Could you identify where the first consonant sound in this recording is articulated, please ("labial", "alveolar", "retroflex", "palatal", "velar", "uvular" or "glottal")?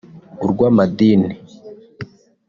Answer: alveolar